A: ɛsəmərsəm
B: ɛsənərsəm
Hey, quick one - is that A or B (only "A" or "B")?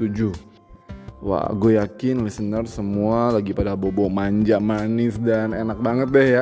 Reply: B